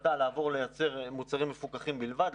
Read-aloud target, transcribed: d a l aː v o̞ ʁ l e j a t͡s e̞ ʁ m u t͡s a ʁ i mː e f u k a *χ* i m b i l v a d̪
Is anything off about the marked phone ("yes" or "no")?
no